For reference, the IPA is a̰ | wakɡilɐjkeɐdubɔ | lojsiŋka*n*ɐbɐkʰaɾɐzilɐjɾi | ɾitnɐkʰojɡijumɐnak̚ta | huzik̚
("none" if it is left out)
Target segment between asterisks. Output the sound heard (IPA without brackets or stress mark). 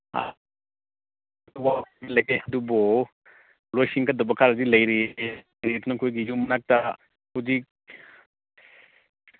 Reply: d